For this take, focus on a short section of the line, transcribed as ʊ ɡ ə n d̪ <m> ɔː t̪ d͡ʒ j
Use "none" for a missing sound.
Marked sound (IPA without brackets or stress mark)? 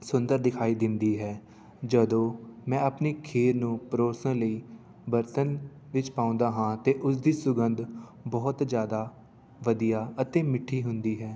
b